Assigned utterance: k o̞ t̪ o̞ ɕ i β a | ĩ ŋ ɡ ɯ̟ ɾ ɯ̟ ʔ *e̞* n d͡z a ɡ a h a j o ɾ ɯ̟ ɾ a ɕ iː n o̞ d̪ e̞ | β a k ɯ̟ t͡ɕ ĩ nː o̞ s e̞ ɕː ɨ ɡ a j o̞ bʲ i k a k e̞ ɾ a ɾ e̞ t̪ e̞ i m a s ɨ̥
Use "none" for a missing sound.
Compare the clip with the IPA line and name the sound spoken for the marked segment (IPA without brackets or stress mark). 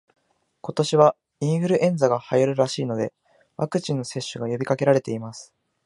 ẽ̞